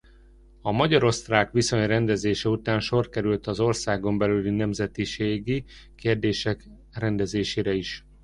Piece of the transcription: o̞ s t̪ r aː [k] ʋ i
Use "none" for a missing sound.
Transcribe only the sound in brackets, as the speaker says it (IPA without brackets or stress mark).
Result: k